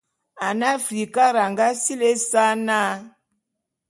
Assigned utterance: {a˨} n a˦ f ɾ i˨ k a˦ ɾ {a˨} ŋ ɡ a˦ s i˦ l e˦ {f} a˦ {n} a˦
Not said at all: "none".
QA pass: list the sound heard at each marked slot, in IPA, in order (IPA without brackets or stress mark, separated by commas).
a˨, a˨, s, n